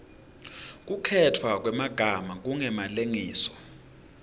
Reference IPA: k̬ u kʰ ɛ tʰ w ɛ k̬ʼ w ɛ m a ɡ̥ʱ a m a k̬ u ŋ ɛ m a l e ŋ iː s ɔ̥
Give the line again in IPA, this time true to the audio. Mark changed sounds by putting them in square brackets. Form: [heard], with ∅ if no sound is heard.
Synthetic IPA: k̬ u kʰ ɛ tʰ w [a] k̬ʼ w ɛ m a ɡ̥ʱ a m a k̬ u ŋ ɛ m a l e ŋ iː s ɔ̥